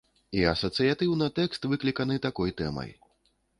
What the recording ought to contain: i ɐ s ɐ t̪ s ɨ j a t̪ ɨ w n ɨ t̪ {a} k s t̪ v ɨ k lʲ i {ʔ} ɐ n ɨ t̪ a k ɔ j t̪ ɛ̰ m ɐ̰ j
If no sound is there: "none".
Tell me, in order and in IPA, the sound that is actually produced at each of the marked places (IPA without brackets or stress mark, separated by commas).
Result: ɛ, k